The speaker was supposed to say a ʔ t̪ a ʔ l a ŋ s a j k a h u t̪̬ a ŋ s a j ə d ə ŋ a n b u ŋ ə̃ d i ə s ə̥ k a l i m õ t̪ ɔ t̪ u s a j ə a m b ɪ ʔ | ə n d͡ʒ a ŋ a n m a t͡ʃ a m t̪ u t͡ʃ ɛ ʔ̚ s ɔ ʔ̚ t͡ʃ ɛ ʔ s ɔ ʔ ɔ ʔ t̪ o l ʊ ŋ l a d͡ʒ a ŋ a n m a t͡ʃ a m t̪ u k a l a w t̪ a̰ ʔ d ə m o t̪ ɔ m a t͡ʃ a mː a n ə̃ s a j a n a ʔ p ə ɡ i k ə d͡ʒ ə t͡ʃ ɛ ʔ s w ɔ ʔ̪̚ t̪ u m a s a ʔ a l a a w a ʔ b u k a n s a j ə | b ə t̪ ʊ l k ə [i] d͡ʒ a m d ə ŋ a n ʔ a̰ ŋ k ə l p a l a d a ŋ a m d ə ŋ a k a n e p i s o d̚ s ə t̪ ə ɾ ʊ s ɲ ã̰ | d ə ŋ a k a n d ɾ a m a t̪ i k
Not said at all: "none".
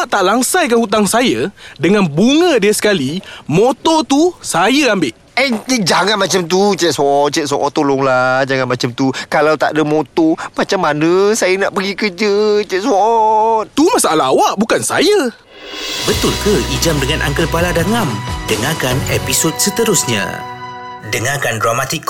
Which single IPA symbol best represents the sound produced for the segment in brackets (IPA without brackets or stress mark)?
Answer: i